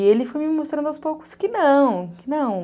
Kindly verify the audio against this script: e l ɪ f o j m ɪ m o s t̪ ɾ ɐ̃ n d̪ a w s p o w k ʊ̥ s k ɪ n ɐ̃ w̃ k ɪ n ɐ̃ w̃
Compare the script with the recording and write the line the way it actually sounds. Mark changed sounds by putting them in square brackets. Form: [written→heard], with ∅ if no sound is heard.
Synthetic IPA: e l ɪ f o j m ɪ m o s t̪ ɾ ɐ̃ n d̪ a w s p o w k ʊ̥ s k ɪ n ɐ̃ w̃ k ɪ n ɐ̃ w̃